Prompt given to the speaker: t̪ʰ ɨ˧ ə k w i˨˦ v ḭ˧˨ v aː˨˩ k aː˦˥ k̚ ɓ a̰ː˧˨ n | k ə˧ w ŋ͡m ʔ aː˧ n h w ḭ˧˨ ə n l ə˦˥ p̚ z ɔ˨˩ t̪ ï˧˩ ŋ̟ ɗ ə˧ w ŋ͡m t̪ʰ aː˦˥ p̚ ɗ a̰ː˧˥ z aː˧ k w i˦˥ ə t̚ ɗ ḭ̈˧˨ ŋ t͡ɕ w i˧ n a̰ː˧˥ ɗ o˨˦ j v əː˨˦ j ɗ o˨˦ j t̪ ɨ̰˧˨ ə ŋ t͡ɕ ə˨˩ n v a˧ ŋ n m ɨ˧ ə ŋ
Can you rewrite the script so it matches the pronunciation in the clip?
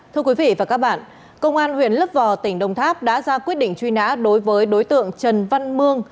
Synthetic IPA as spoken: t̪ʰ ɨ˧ ə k w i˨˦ v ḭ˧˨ v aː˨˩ k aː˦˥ k̚ ɓ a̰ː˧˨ n | k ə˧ w ŋ͡m ʔ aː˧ n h w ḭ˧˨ ə n l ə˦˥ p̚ v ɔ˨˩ t̪ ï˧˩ ŋ̟ ɗ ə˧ w ŋ͡m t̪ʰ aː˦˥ p̚ ɗ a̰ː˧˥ z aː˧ k w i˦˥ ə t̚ ɗ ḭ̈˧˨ ŋ t͡ɕ w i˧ n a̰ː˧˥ ɗ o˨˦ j v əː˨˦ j ɗ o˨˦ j t̪ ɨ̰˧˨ ə ŋ t͡ɕ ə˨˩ n v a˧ n m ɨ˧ ə ŋ